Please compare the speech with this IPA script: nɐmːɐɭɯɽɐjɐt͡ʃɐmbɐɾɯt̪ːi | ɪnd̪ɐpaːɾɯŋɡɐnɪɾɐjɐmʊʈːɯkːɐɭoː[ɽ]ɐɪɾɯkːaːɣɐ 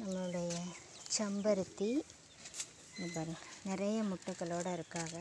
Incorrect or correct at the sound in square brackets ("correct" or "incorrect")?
correct